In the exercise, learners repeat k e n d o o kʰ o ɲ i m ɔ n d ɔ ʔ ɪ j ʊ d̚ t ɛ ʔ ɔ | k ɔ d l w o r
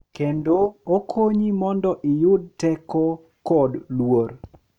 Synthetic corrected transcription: k e n d o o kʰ o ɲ i m ɔ n d ɔ ʔ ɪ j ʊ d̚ t ɛ k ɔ | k ɔ d l w o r